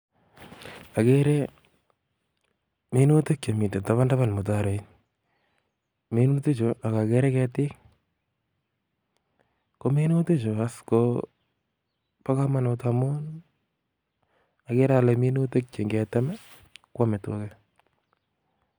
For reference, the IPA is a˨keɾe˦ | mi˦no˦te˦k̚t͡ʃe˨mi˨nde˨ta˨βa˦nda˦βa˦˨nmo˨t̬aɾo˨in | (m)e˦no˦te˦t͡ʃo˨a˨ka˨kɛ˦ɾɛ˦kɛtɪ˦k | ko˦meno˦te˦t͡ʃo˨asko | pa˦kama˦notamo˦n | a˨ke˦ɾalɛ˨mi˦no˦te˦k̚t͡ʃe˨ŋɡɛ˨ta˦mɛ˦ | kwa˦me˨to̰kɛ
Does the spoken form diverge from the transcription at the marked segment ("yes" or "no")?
no